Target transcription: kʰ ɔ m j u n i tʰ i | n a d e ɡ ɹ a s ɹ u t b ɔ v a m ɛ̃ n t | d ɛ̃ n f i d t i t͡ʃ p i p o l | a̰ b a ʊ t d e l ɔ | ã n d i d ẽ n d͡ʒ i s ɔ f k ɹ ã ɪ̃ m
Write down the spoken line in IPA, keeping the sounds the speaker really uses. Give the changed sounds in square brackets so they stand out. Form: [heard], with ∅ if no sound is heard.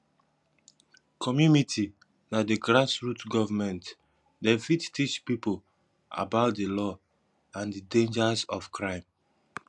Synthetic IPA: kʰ ɔ m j u n i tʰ i | n a d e ɡ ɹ a s ɹ u t [ɡ] ɔ v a m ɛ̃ n t | d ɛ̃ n f i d t i t͡ʃ p i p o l | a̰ b a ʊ t d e l ɔ | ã n d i d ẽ n d͡ʒ [a] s ɔ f k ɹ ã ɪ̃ m